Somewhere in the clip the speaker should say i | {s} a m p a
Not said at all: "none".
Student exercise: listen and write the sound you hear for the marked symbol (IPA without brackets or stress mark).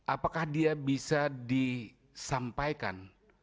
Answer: s